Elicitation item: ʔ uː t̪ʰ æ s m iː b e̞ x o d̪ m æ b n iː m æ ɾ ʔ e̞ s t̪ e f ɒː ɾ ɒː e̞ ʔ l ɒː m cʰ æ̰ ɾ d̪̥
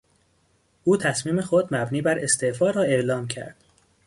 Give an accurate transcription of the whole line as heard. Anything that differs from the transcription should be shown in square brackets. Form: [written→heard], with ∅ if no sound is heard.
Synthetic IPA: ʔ uː t̪ʰ æ s m iː [b→m] e̞ x o d̪ m æ b n iː [m→b] æ ɾ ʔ e̞ s t̪ e f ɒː ɾ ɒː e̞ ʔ l ɒː m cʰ æ̰ ɾ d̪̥